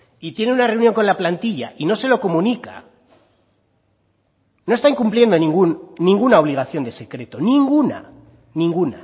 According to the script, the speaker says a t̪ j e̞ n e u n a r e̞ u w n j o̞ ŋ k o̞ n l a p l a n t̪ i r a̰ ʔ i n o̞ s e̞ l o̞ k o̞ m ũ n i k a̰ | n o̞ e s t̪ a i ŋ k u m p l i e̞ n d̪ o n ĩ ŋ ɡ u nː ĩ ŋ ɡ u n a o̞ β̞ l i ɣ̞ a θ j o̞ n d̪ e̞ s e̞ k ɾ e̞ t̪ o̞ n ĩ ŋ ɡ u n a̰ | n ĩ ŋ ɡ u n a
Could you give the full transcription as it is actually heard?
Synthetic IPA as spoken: i t̪ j e̞ n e u n a r e̞ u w n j o̞ ŋ k o̞ n l a p l a n t̪ i ʎ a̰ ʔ i n o̞ s e̞ l o̞ k o̞ m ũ n i k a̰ | n o̞ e s t̪ a i ŋ k u m p l j e̞ n d̪ o n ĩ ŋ ɡ u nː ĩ ŋ ɡ u n a o̞ β̞ l i ɣ̞ a θ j o̞ n d̪ e̞ s e̞ k ɾ e̞ t̪ o̞ n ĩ ŋ ɡ u n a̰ | n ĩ ŋ ɡ u n a